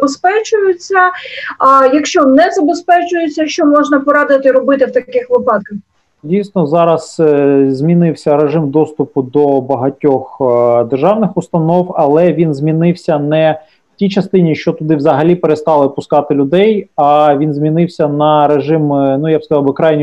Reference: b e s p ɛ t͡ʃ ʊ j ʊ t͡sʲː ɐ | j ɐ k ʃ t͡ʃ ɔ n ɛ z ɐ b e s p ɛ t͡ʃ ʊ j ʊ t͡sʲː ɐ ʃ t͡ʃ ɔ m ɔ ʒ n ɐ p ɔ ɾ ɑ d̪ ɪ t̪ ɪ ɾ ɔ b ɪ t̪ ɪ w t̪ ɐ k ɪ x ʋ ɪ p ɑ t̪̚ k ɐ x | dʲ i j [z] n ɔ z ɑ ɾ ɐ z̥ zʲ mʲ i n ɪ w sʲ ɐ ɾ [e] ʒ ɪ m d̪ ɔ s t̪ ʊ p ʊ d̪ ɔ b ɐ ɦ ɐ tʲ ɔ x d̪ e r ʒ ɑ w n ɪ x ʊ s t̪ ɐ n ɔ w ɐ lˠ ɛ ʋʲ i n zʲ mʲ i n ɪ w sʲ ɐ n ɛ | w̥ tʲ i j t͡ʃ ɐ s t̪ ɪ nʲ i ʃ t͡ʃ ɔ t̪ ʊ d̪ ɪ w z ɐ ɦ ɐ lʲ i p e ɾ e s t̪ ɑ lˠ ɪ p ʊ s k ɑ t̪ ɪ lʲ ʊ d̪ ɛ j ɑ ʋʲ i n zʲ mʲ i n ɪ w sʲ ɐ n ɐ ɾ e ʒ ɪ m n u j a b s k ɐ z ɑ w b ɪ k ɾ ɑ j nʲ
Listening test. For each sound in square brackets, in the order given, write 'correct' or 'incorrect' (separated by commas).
incorrect, correct